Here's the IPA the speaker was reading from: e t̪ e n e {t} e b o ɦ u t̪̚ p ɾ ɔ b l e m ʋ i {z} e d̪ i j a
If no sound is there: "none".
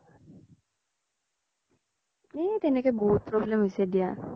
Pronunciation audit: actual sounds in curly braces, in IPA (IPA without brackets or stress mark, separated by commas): k, s